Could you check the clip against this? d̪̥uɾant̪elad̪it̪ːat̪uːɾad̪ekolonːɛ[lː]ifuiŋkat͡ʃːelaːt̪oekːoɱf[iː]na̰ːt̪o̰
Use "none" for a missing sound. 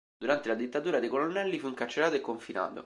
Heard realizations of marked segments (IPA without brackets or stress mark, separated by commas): lː, i